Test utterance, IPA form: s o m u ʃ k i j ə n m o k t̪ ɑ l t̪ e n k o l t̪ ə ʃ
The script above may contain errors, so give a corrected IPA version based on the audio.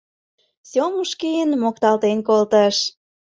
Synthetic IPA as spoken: s o m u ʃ k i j ə n m o k t̪ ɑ l t̪ e n k o l t̪ ə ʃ

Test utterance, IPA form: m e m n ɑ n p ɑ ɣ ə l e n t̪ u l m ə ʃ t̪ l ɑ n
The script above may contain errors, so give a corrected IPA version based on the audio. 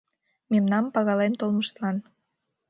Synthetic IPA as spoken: m e m n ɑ m p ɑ ɣ ɑ l e n t̪ o l m ə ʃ t̪ l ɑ n

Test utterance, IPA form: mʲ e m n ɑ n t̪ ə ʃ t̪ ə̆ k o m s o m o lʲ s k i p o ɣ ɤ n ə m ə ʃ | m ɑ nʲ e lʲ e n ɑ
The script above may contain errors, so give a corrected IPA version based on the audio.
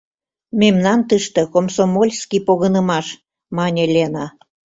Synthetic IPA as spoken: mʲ e m n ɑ n t̪ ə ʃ t̪ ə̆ k o m s o m o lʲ s k i p o ɣ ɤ n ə m ɑ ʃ | m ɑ nʲ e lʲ e n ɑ

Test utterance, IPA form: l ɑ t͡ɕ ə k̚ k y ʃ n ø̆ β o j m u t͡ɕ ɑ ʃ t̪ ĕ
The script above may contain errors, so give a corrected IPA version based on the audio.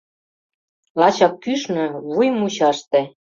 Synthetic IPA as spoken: l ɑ t͡ɕ ɑ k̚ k y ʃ n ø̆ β u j m u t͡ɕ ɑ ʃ t̪ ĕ

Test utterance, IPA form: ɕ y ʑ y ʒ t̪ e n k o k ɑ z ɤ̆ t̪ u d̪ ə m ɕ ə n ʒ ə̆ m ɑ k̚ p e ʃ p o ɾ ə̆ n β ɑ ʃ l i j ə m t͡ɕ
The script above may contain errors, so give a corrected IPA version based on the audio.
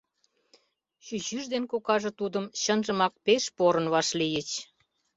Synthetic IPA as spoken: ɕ y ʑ y ʒ d̪ e n k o k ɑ ʒ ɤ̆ t̪ u d̪ ə m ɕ ə n ʒ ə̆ m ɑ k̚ p e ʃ p o ɾ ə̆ n β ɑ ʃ l i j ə t͡ɕ

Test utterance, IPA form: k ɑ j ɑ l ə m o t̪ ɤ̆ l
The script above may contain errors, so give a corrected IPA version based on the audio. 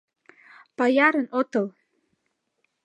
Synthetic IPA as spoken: p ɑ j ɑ ɾ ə n o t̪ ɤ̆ l

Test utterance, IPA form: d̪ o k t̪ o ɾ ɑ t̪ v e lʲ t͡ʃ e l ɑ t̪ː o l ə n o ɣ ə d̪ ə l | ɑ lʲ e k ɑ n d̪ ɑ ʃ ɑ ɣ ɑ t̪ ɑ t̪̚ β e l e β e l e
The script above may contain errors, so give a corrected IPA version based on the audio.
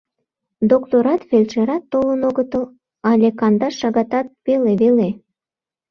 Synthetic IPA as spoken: d̪ o k t̪ o ɾ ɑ t̪ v e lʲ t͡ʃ e ɾ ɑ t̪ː o l ə n o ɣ ə t̪ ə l | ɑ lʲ e k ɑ n d̪ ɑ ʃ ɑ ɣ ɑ t̪ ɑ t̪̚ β e l e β e l e

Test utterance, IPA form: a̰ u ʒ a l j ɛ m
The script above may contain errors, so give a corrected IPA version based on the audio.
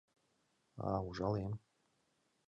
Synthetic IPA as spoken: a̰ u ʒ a l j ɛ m

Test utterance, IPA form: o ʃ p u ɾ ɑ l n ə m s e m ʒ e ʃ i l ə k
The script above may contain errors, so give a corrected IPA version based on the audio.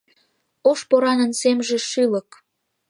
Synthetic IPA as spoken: o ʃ p o ɾ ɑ n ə n s e m ʒ e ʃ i l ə k

